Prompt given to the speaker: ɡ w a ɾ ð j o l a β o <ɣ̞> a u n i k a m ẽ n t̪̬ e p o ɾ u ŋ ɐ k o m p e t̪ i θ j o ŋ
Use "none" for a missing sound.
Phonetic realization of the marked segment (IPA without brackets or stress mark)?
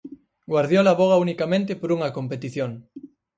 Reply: ɣ̞